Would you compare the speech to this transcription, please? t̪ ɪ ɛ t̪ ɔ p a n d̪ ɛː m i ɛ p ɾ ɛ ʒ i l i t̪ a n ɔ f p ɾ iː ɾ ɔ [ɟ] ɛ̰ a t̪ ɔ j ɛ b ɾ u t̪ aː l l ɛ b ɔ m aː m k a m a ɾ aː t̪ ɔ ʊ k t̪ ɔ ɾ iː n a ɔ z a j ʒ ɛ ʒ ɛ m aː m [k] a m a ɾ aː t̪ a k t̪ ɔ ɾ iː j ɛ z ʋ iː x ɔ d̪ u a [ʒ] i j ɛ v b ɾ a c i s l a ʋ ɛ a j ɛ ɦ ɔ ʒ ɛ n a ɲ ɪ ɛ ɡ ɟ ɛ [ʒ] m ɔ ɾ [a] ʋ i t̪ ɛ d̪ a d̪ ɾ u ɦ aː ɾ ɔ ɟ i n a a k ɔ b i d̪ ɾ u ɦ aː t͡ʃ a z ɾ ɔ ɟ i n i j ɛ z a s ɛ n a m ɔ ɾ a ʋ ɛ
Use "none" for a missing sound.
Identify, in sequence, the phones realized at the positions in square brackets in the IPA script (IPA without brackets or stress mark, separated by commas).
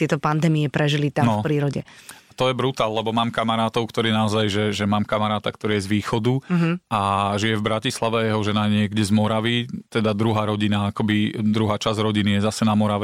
ɟ, k, ʒ, z, a